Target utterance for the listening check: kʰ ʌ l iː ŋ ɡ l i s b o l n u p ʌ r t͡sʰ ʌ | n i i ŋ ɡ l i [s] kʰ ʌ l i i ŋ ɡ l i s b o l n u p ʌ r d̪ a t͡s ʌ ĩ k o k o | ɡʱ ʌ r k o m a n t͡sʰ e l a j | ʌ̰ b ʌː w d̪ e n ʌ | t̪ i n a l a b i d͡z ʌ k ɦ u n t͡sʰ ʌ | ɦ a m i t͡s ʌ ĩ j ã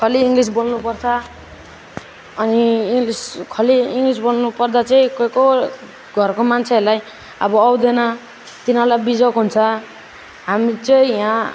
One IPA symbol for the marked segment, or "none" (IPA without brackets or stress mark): s